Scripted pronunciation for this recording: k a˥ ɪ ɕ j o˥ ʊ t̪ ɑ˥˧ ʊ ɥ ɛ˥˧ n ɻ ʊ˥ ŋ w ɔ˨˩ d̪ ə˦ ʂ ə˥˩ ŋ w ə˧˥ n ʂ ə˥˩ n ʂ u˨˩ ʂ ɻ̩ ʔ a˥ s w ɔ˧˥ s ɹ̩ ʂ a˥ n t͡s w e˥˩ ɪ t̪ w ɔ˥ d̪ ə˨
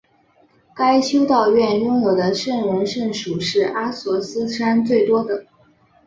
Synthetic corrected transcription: k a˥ ɪ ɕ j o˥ ʊ t̪ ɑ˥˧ ʊ ɥ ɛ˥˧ n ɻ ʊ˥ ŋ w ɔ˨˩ d̪ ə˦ ʂ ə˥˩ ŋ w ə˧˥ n ʂ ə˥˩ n ʂ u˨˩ ʂ ɻ̩ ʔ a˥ s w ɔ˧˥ s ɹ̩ ʂ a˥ n t͡s w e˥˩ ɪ t̪ w ɔ˥ d̪ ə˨